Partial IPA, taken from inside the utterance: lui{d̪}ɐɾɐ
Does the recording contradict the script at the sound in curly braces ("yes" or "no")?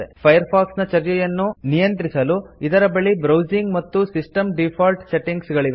no